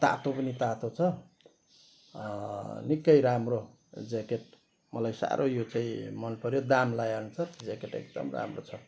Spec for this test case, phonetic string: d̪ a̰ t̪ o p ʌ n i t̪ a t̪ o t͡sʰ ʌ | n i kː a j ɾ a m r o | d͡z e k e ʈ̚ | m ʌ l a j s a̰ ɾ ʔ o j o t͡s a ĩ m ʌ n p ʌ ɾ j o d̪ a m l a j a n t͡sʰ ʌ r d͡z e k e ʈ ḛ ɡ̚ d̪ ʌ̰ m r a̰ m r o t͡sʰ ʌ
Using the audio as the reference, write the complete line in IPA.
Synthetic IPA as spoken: t̪ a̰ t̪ o p ʌ n i t̪ a t̪ o t͡sʰ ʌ | n i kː ʌ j ɾ a m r o | d͡z e k e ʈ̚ | m ʌ l a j s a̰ ɾ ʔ o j o t͡s a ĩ m ʌ n p ʌ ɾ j o d̪ a m l a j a n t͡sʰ ʌ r d͡z e k e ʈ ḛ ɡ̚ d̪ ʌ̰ m r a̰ m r o t͡sʰ ʌ

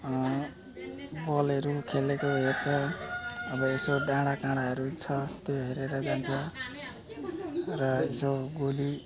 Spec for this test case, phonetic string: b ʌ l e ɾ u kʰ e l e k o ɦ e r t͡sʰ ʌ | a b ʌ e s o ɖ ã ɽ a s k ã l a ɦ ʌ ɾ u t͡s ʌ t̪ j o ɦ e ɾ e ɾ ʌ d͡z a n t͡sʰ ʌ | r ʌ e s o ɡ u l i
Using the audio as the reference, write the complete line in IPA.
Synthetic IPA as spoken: b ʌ l e ɾ u kʰ e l e k o ɦ e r t͡sʰ ʌ | ʌ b ʌ e s o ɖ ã ɽ a k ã ɽ a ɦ ʌ ɾ u t͡sʰ ʌ t̪ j o ɦ e ɾ e ɾ ʌ d͡z a n t͡sʰ ʌ | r ʌ e s o ɡ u l i

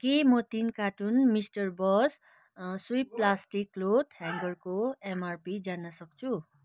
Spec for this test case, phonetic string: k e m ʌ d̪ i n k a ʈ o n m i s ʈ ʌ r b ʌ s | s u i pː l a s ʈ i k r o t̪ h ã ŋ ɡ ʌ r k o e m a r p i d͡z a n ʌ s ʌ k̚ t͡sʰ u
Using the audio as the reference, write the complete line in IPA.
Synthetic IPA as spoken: k e m ʌ t̪ i n k a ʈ u n m i s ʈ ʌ r b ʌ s | s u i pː l a s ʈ i k l o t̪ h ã ŋ ɡ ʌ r k o e m a r p i d͡z a n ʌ s ʌ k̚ t͡sʰ u

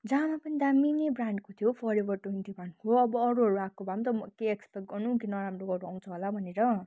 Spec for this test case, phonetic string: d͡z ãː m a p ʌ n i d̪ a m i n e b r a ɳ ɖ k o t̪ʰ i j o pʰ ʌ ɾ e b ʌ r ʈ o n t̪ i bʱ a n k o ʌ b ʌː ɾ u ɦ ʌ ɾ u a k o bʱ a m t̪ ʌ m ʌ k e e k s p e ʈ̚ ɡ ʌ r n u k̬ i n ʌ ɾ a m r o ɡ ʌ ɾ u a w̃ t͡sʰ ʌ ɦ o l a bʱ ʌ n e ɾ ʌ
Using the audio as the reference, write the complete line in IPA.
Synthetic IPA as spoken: d͡z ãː m a p ʌ n i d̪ a m i n e b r a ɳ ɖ k o t̪ʰ i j o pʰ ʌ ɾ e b ʌ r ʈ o n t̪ i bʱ a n k o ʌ b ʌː ɾ u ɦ ʌ ɾ u a k o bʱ a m t̪ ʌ m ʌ k e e k s p e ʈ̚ ɡ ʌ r n u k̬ i n ʌ ɾ a m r o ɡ ʌ ɾ u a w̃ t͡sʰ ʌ ɦ o l a bʱ ʌ n e ɾ ʌ

